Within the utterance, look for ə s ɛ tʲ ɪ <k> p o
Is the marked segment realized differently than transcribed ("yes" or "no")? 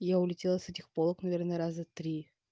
yes